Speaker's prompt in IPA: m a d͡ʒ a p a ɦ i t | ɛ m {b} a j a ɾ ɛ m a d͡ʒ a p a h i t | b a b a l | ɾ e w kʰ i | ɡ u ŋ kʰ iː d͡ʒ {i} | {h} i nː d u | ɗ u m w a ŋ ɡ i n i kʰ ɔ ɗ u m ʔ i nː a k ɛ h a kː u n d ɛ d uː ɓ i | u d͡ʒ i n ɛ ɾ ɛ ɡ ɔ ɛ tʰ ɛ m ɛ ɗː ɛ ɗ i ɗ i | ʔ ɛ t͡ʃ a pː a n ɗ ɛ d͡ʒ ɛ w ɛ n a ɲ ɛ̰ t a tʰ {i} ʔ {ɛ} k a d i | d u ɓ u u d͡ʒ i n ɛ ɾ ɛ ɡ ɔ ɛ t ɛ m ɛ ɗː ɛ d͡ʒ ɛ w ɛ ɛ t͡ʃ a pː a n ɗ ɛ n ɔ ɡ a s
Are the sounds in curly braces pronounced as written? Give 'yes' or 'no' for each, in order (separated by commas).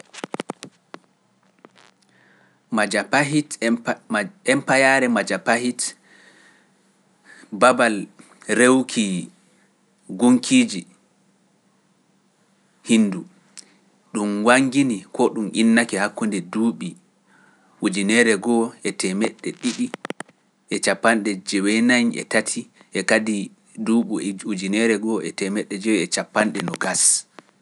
no, yes, yes, yes, yes